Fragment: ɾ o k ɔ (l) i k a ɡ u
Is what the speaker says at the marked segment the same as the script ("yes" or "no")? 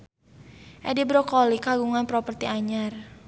yes